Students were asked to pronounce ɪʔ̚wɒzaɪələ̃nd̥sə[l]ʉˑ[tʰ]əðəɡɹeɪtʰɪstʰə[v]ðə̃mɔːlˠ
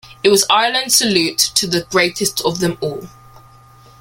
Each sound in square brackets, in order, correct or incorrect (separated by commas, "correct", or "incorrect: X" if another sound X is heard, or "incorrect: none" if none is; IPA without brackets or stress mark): correct, correct, correct